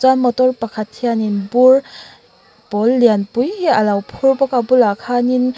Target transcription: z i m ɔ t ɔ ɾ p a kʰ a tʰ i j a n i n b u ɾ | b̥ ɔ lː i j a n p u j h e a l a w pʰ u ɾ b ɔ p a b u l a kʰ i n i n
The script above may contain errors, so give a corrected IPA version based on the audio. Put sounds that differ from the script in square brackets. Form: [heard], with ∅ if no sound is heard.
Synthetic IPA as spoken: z [a] m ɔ t ɔ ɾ p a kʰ a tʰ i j a n i n b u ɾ | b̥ ɔ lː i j a n p u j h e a l a w pʰ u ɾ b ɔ [k] a b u l a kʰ [a] n i n